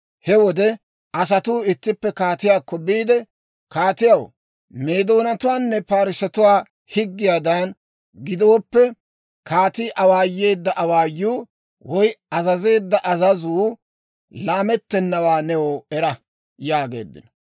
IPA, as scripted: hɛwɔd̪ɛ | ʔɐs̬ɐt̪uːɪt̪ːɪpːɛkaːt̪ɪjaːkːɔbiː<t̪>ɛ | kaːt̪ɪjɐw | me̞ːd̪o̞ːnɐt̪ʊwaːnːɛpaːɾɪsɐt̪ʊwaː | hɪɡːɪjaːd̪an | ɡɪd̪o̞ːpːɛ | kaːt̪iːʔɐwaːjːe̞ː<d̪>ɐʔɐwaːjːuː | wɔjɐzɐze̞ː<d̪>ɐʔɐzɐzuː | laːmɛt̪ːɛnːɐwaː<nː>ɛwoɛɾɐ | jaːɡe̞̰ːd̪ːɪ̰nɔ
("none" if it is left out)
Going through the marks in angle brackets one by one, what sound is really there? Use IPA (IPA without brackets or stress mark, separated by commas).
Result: d̪, d̪ː, d̪ː, n